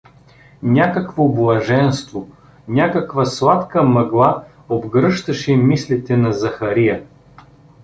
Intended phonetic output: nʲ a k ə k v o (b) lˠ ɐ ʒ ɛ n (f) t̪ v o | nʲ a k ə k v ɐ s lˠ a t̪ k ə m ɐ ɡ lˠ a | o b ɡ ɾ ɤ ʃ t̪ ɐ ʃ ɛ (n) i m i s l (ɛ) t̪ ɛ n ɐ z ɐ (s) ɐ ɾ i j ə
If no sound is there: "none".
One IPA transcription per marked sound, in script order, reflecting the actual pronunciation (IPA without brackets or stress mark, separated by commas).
b, s, none, i, x